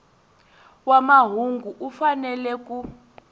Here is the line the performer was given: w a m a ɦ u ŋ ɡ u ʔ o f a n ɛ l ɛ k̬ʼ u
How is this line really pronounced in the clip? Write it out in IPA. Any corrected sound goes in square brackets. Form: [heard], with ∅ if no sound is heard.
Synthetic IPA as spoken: w a m a ɦ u ŋ ɡ u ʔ [u] f a n ɛ l ɛ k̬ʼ u